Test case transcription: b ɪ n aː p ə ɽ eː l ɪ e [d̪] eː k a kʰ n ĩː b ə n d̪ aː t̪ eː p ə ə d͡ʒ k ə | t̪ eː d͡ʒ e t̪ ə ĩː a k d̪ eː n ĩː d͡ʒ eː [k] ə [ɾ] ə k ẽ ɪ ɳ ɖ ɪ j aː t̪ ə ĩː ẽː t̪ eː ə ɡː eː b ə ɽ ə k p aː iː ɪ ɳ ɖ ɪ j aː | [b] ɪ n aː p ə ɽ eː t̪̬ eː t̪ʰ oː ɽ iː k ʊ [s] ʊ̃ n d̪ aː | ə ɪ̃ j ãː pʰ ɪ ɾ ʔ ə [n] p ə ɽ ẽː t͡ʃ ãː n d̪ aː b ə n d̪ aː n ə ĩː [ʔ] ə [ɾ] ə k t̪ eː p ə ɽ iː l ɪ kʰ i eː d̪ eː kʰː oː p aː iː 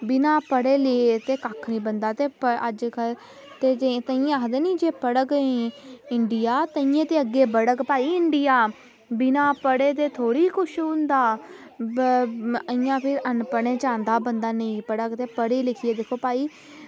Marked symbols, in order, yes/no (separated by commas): no, no, no, yes, no, yes, no, no